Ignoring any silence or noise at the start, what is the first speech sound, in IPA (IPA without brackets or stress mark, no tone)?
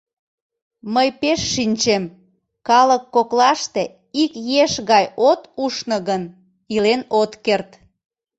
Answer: m